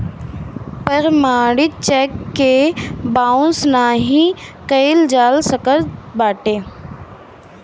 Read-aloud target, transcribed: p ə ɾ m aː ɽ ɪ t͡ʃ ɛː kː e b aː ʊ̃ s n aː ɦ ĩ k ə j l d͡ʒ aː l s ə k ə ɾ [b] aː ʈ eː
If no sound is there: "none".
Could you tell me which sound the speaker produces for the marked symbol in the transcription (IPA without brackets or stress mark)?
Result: b